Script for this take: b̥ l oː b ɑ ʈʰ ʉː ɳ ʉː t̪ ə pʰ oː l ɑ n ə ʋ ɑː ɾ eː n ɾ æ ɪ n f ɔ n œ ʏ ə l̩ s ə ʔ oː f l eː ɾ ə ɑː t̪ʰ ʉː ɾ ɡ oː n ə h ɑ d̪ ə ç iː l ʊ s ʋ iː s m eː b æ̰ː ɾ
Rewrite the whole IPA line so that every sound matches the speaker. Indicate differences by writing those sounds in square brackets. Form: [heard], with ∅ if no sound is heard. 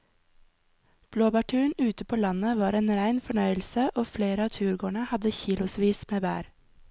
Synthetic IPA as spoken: b̥ l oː b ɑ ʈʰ ʉː ɳ ʉː t̪ ə pʰ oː l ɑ n ə ʋ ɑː ɾ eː n ɾ æ ɪ n f ɔ [ɳ] œ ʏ ə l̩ s ə ʔ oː f l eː ɾ ə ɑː t̪ʰ ʉː ɾ ɡ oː [ɳ] ə h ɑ d̪ ə ç iː l ʊ s ʋ iː s m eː b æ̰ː ɾ